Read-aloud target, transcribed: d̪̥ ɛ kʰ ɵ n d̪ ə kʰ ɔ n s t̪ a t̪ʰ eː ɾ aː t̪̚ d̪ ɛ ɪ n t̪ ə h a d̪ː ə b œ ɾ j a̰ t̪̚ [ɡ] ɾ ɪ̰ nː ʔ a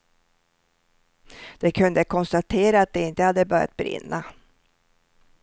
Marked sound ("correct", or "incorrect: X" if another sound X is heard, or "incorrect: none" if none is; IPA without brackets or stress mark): incorrect: b